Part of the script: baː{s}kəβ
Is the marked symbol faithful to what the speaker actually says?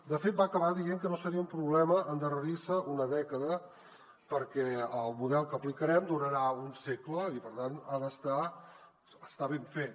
no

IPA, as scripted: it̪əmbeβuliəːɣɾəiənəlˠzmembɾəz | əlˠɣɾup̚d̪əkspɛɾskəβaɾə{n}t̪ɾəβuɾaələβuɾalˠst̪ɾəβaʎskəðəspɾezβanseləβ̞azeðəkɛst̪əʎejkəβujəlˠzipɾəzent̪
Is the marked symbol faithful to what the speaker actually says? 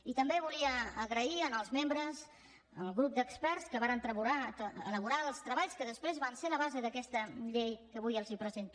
yes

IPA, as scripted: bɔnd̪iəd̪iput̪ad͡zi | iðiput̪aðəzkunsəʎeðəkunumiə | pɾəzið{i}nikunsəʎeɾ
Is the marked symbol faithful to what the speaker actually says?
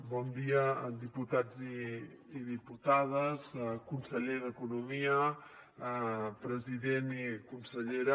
no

